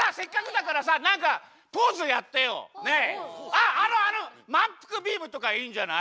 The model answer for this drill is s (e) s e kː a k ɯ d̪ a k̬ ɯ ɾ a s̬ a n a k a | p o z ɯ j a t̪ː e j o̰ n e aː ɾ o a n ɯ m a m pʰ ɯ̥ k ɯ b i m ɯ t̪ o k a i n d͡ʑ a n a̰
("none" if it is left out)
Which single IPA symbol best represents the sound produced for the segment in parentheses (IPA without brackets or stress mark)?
a